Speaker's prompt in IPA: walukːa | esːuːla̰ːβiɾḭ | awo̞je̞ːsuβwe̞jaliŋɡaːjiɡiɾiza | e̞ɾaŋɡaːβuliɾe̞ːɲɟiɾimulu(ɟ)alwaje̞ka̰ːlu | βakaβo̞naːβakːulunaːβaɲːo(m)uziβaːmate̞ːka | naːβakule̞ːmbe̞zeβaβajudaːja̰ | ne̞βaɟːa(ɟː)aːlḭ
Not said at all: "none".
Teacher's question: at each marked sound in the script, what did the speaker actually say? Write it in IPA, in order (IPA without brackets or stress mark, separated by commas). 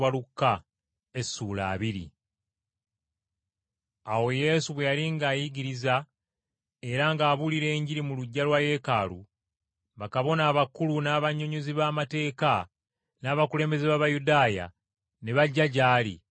ɟː, ɲ, ɟ